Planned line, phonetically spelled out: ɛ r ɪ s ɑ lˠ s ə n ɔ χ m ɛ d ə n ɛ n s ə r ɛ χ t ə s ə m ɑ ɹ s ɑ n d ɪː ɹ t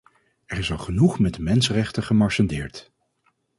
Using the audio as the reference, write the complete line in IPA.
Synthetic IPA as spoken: ɛ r ɪ s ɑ lˠ χ ə n u χ m ɛ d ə m ɛ n s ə r ɛ χ t ə χ ə m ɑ ɹ s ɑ n d ɪː ɹ t